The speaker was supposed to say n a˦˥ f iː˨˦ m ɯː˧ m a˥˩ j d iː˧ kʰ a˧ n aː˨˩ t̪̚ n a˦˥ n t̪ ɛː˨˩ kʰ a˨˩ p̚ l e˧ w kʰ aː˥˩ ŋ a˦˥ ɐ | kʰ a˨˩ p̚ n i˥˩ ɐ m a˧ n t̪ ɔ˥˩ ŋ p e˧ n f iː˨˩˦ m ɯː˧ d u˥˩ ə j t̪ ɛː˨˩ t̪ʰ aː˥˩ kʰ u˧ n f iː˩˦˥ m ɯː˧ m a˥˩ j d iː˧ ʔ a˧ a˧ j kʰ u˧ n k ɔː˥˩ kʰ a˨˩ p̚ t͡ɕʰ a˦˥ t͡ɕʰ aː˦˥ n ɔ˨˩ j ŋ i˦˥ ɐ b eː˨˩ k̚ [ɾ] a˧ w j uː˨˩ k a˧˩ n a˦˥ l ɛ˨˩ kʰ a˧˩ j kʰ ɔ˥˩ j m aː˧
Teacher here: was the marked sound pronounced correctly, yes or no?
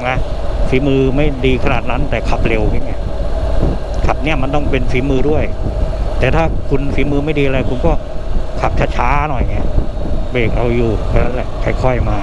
yes